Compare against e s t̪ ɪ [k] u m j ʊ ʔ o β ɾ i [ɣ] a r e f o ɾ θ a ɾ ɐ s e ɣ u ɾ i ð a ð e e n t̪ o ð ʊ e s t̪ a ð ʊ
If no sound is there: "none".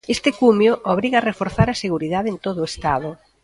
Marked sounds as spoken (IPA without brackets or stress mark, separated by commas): k, ɣ